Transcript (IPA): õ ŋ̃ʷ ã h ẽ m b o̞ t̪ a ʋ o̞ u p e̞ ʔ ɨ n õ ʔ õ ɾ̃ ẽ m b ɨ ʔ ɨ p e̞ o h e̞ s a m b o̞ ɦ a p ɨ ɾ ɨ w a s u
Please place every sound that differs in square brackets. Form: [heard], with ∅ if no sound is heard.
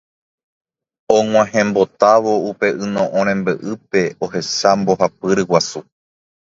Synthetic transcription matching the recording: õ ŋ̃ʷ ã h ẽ m b o̞ t̪ a ʋ o̞ u p e̞ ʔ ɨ n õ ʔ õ ɾ̃ ẽ m b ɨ ʔ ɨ p e̞ o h e̞ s a m b o̞ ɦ a p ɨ ɾ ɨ w a s u